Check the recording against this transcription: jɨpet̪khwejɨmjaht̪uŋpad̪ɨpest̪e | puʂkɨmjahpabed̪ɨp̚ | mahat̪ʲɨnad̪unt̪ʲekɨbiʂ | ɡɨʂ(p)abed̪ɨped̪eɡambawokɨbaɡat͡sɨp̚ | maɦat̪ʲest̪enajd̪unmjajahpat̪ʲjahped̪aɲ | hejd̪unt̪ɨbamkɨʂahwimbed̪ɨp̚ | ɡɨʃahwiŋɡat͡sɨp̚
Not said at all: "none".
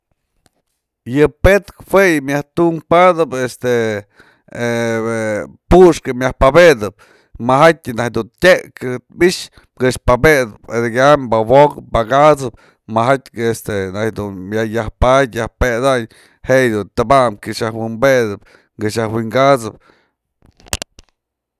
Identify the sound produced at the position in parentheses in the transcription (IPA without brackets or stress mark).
p